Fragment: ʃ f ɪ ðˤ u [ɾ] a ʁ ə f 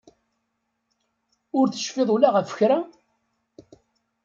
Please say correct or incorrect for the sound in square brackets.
incorrect